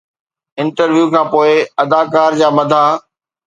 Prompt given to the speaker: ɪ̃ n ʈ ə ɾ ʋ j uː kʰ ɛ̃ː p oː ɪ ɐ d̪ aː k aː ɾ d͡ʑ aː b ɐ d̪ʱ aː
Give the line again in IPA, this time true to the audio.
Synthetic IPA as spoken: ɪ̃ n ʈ ə ɾ ʋ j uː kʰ ãː p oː ɪ ɐ d̪ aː k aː ɾ d͡ʑ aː m ɐ d̪ʱ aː